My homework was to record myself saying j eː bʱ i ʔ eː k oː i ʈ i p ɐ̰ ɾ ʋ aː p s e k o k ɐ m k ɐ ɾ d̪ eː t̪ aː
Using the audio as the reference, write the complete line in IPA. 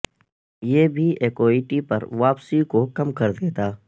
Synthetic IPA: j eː bʱ i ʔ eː k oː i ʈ i p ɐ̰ ɾ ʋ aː p s i k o k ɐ m k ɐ ɾ d̪ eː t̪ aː